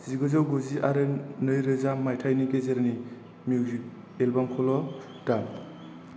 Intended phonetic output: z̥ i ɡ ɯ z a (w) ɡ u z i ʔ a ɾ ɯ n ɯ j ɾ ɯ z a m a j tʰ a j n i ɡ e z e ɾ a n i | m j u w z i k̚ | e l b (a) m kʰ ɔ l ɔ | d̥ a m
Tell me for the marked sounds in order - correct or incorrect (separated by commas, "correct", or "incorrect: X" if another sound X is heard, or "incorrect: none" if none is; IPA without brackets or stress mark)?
correct, correct